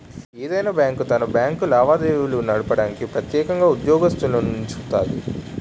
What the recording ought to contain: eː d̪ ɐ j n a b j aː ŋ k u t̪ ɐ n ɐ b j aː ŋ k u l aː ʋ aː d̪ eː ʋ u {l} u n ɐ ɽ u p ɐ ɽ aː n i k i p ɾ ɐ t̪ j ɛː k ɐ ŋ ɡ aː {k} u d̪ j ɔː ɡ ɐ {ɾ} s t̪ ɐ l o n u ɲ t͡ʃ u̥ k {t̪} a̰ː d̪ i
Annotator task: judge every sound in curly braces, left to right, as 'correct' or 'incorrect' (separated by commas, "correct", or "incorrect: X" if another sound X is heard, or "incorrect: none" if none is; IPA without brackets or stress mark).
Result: correct, incorrect: none, incorrect: none, correct